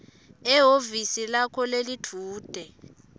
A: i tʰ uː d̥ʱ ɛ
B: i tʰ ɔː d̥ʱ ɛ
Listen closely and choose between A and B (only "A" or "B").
A